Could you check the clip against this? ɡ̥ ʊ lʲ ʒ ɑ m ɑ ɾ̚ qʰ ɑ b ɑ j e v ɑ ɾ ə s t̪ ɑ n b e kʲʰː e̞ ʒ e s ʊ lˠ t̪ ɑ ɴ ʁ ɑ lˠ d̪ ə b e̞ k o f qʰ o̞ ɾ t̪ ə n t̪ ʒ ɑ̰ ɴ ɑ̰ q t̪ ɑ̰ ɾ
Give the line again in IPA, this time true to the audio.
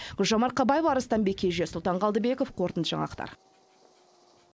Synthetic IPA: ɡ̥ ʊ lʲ ʒ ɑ m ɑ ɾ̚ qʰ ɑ b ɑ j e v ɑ ɾ ə s t̪ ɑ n b e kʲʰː e̞ ʒ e s ʊ lˠ t̪ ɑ ɴ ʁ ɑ lˠ d̪ ə b e̞ k o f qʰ o̞ ɾ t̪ ə n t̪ ʒ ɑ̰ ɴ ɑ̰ q t̪ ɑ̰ ɾ